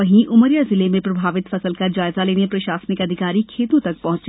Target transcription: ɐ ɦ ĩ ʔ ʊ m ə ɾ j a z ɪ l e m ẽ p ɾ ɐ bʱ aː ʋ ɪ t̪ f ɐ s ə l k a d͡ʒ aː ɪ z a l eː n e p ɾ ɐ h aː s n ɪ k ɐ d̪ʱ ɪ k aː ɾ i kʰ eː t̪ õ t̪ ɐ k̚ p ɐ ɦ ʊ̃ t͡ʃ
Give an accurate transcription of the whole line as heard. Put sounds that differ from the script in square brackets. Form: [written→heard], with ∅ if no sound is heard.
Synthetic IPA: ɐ ɦ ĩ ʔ ʊ m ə ɾ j a z ɪ l e m ẽ p ɾ ɐ bʱ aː ʋ ɪ t̪ f ɐ s ə l k a d͡ʒ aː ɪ z a l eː n e p ɾ ɐ [h→ʃ] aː s n ɪ k ɐ d̪ʱ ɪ k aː ɾ i kʰ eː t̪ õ t̪ ɐ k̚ p ɐ ɦ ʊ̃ t͡ʃ